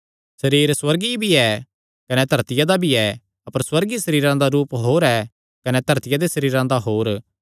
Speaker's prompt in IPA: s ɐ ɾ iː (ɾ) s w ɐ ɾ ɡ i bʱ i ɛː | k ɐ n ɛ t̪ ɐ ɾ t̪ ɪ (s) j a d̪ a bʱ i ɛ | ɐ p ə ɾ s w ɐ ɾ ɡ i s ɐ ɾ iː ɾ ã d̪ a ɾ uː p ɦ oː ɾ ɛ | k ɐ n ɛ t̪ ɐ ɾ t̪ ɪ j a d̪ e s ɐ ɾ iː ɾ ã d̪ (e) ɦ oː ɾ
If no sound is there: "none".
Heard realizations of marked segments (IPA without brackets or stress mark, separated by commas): ɾ, none, a